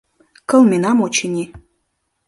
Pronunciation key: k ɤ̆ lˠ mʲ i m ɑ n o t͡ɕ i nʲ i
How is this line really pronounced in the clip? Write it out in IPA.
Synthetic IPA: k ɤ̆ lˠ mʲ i n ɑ m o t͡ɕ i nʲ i

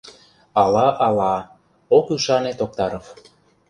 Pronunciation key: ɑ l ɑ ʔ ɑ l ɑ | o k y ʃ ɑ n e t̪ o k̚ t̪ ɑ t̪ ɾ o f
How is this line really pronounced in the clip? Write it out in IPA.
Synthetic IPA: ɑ l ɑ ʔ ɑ l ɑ | o k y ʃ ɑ n e t̪ o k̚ t̪ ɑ ɾ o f

